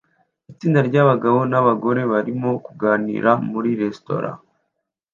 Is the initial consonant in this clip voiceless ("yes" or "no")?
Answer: yes